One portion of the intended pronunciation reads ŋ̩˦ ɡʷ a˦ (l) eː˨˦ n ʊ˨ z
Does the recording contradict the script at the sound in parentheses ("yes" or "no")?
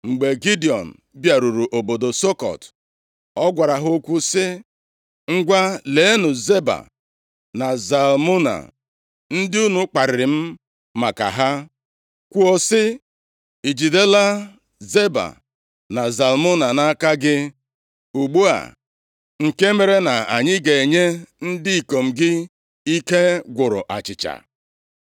no